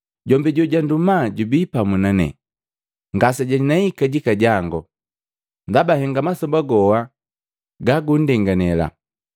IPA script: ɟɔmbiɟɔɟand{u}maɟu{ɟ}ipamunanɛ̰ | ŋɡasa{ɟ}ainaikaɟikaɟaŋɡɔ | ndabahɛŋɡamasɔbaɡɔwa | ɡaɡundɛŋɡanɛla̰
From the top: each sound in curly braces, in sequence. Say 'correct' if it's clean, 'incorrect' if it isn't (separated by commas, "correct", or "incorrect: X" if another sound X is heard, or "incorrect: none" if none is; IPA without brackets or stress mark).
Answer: correct, incorrect: b, correct